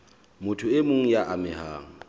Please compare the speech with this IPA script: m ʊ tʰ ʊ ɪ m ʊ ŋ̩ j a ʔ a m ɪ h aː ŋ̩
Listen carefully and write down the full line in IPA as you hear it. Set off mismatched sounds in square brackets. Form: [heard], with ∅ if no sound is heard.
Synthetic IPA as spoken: m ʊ tʰ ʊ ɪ m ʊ ŋ̩ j a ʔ a m ɪ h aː ŋ̩